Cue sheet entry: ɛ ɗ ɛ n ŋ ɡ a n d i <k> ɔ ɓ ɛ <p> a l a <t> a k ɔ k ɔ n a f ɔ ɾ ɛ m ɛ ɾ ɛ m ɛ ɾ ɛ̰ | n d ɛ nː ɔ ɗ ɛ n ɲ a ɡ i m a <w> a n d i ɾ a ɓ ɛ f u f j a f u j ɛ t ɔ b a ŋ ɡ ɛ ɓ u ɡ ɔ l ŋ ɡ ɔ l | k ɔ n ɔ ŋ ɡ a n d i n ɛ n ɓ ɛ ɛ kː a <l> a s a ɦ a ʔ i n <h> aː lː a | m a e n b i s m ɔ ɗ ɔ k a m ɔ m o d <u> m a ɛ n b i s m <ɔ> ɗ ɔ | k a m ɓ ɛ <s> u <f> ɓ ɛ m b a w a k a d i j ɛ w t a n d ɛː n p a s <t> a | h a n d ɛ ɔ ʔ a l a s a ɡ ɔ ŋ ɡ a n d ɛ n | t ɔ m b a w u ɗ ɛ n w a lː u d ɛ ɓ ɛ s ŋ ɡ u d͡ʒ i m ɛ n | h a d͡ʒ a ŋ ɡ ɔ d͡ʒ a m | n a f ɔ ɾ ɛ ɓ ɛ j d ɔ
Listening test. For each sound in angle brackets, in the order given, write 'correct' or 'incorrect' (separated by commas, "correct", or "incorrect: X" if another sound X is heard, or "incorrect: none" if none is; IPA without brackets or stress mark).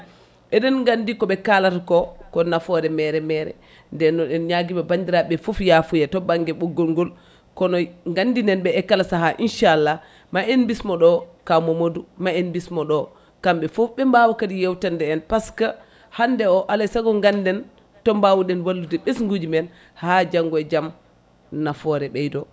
correct, incorrect: k, correct, incorrect: b, correct, incorrect: ʃ, correct, correct, incorrect: f, correct, incorrect: k